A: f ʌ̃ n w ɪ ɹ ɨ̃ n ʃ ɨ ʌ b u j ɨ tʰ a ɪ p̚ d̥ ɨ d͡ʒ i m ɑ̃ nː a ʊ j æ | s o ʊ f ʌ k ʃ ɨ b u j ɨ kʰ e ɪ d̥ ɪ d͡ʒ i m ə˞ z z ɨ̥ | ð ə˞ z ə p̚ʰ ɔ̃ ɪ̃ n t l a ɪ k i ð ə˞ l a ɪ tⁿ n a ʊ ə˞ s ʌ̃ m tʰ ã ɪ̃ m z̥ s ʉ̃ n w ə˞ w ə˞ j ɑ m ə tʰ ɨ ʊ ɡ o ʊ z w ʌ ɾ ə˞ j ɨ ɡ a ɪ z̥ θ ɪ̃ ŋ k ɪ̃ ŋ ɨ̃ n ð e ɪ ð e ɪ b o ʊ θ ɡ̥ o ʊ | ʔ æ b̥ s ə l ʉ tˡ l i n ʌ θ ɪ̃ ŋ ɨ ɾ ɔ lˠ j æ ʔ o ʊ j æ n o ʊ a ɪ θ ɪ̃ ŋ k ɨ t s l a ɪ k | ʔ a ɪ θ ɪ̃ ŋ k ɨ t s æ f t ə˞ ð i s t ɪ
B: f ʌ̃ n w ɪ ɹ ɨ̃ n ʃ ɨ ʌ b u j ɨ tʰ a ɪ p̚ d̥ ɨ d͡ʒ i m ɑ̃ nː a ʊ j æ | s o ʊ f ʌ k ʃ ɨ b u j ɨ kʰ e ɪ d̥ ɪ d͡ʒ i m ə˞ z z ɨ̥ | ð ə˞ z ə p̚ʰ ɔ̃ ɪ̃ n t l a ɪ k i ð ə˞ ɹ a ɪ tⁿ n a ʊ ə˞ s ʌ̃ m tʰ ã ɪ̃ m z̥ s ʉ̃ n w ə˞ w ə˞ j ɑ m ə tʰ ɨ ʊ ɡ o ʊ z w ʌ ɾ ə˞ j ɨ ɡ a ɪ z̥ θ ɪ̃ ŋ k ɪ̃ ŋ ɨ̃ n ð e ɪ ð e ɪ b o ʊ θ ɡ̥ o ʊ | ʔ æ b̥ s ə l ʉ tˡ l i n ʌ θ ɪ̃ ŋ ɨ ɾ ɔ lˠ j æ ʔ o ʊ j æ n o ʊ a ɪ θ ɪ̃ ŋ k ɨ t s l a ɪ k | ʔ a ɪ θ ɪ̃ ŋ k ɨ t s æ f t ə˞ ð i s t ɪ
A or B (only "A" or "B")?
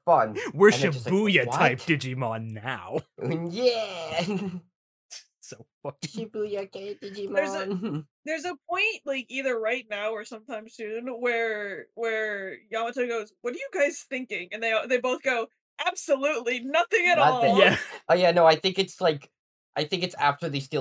B